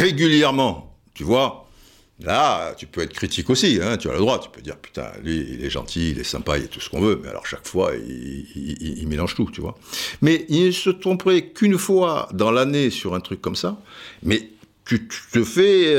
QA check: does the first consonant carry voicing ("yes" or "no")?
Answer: yes